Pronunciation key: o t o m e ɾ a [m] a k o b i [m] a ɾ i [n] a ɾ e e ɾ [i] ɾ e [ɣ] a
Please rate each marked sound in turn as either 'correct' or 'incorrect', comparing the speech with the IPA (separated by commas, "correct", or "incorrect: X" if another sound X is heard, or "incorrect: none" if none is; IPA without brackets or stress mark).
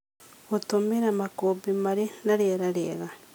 correct, correct, correct, incorrect: a, correct